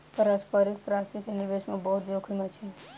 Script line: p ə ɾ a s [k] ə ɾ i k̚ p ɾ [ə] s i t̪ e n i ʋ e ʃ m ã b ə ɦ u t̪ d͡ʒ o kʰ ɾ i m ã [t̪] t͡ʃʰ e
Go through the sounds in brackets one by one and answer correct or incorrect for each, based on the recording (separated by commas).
incorrect, incorrect, incorrect